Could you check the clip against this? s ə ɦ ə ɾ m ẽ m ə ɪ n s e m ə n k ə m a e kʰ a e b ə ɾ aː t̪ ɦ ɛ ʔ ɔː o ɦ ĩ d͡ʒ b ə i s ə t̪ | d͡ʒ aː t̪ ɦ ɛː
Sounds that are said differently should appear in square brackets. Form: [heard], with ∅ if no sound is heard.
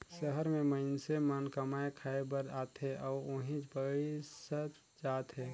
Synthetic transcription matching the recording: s ə ɦ ə ɾ m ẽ m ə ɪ n s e m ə n k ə m a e kʰ a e b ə ɾ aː t̪ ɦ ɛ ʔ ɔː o ɦ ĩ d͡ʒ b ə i s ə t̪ | d͡ʒ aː t̪ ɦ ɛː